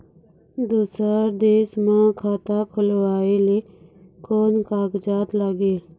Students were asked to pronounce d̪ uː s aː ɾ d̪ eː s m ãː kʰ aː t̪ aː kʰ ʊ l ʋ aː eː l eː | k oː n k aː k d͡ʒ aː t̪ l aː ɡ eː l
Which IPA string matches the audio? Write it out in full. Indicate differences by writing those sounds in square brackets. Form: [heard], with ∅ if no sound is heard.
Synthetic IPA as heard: d̪ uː s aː ɾ d̪ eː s m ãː kʰ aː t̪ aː kʰ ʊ l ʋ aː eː l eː | k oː n k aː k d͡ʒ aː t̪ l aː ɡ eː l